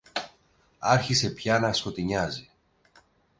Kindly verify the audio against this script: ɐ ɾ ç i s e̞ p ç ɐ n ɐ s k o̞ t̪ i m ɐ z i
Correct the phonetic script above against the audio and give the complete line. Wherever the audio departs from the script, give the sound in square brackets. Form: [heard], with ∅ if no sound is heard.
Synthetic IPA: ɐ ɾ ç i s e̞ p ç ɐ n ɐ s k o̞ t̪ i [ɲ] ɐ z i